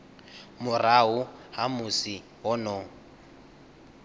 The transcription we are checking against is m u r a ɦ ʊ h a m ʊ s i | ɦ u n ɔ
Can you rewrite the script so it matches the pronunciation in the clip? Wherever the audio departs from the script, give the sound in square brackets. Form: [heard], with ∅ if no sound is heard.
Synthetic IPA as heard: m [ʊ] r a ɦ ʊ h a m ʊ s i | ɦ [ɔ] n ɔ